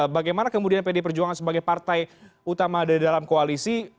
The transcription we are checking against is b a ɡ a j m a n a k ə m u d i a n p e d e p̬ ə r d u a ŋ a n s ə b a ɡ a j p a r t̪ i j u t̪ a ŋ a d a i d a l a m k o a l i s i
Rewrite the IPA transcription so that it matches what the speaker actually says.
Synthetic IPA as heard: b a ɡ a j m a n a k ə m u d i a n p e d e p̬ ə r d͡ʒ u a ŋ a n s ə b a ɡ a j p a r t̪ a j u t̪ a m a d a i d a l a m k o a l i s i